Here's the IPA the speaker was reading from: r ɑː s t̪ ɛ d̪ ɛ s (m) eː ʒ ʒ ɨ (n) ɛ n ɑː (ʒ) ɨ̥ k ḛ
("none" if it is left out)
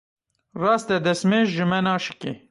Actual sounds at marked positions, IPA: m, m, ʃ

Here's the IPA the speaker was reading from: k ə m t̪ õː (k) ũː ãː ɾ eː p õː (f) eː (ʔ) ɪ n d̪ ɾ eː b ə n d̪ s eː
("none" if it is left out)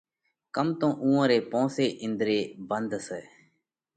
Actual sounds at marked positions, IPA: ʔ, s, ʔ

